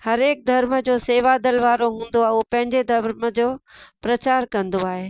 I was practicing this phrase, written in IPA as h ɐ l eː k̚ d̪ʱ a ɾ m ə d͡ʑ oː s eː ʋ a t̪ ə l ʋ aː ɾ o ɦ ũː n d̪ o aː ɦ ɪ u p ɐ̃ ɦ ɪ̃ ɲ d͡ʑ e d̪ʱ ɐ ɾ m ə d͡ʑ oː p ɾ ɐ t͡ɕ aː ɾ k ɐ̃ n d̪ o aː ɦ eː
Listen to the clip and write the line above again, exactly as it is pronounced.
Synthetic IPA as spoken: h ɐ ɾ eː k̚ d̪ʱ ɐ ɾ m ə d͡ʑ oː s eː ʋ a d̪ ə l ʋ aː ɾ o ɦ ũː n d̪ o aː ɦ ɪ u p ɐ̃ ɦ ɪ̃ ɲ d͡ʑ e d̪ʱ ɐ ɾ m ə d͡ʑ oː p ɾ ɐ t͡ɕ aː ɾ k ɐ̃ n d̪ o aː ɦ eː